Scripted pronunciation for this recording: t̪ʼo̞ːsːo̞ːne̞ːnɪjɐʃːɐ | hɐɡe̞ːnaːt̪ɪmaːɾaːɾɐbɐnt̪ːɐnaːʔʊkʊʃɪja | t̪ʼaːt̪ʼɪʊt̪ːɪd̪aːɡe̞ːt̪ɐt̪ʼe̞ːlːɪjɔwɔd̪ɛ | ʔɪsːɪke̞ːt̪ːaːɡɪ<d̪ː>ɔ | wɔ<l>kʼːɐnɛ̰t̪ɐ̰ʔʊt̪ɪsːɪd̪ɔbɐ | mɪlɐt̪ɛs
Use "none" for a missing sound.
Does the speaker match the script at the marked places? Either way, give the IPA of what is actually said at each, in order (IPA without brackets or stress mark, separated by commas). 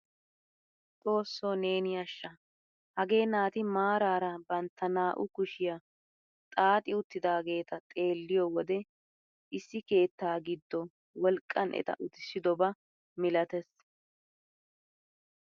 d̪ː, l